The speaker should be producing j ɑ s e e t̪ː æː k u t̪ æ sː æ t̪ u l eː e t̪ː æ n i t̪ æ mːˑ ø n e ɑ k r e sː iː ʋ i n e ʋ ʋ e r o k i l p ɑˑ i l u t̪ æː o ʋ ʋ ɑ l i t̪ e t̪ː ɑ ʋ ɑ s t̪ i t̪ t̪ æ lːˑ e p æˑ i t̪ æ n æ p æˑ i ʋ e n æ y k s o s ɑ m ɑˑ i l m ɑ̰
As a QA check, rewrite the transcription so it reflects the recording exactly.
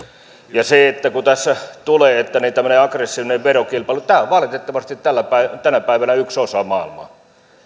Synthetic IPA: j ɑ s e e t̪ː æ k u t̪ æ sː æ t̪ u l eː e t̪ː æ n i t̪ æ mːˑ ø n e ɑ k r e sː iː ʋ i n e ʋ ʋ e r o k i l p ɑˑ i l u t̪ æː o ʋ ʋ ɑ l i t̪ e t̪ː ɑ ʋ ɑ s t̪ i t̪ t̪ æ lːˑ æ p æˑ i t̪ æ n æ p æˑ i ʋ æ n æ y k s o s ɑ m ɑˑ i l m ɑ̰